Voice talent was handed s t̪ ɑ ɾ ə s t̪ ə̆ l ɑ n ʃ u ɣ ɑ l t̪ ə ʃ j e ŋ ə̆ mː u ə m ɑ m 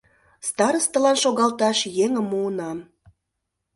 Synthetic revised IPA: s t̪ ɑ ɾ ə s t̪ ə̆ l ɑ n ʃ o ɣ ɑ l t̪ ɑ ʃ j e ŋ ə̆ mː u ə n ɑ m